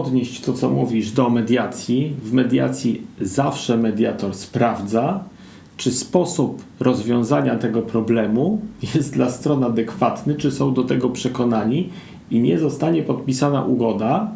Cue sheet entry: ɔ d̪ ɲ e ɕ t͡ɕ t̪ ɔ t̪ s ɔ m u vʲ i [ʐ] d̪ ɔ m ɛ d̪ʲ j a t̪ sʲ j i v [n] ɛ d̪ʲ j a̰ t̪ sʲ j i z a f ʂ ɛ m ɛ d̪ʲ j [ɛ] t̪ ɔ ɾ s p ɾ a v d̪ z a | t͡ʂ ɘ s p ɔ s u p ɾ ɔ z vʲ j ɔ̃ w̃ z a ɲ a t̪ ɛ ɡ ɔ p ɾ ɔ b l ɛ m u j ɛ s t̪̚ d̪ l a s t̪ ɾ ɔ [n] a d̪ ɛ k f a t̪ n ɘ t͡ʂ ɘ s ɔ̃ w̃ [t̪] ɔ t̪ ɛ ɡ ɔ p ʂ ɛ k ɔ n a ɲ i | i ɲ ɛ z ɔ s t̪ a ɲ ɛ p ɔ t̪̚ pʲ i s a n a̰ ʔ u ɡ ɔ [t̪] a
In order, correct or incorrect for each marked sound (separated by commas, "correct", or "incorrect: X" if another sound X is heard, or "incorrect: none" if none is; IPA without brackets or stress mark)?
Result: correct, incorrect: m, incorrect: a, correct, incorrect: d̪, incorrect: d̪